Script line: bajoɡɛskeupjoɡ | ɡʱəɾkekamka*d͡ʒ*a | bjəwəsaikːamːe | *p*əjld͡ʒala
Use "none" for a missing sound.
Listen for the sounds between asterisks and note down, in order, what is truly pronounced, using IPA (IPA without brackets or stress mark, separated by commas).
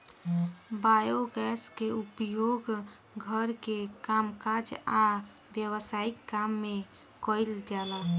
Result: d͡ʒ, k